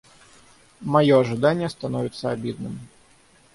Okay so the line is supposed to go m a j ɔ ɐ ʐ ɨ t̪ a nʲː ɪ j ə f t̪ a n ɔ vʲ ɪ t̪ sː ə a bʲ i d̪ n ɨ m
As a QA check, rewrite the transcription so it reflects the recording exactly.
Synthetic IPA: m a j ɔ ɐ ʐ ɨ d̪ a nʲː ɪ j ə s t̪ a n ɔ vʲ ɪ t̪ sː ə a bʲ i d̪ n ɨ m